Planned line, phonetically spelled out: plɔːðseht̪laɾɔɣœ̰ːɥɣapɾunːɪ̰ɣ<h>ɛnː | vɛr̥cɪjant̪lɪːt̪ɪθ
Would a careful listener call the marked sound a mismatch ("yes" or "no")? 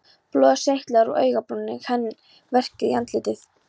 no